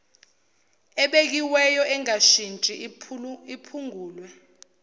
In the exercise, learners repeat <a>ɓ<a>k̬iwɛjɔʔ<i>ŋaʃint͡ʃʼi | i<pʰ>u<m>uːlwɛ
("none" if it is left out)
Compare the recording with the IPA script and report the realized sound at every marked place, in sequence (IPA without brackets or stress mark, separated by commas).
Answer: ɛ, e, ɛ, pʰ, ŋ